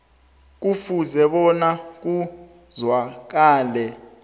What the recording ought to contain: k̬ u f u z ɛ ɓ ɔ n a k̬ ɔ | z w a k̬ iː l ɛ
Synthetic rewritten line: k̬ u f u z ɛ ɓ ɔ n a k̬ u | z w a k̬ aː l ɛ